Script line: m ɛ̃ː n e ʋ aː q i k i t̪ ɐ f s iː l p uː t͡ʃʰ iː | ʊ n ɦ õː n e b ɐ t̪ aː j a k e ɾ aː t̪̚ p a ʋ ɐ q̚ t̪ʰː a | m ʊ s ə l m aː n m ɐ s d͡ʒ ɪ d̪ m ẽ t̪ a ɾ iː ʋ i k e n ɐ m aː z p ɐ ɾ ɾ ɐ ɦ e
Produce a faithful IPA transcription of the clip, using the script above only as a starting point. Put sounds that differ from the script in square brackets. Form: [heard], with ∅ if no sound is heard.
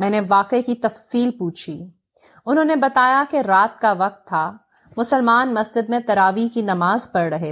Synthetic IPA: m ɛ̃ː n e ʋ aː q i k i t̪ ɐ f s iː l p uː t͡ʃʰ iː | ʊ n ɦ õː n e b ɐ t̪ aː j a k e ɾ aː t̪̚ [k] a ʋ ɐ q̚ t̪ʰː a | m ʊ s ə l m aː n m ɐ s d͡ʒ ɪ d̪ m ẽ t̪ [ɐ] ɾ [aː] ʋ i k [i] n ɐ m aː z p ɐ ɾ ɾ ɐ ɦ e